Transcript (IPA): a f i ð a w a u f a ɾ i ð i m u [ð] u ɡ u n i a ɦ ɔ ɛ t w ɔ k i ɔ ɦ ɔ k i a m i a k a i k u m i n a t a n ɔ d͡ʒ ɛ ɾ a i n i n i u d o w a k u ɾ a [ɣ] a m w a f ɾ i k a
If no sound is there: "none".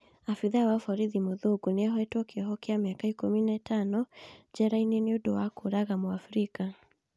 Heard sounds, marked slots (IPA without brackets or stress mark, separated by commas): ð, ɣ